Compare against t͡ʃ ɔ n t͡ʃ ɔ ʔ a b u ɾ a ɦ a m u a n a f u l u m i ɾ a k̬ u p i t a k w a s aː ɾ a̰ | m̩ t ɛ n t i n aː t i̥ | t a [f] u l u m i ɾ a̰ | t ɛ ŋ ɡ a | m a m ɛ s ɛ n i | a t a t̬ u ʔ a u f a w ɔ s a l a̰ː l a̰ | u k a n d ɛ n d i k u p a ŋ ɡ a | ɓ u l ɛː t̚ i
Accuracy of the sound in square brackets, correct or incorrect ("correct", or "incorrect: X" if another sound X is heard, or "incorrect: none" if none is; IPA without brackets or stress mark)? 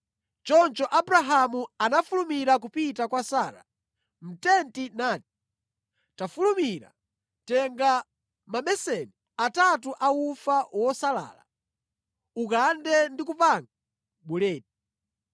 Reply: correct